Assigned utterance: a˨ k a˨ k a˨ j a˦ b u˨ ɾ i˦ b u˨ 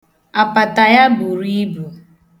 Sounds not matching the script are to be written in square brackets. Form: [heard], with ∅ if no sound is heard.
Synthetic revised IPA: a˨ [p] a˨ [t] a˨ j a˦ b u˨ ɾ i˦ b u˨